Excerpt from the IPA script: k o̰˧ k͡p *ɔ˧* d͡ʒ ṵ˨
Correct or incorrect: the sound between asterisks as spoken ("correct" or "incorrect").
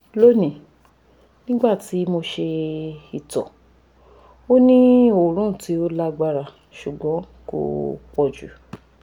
correct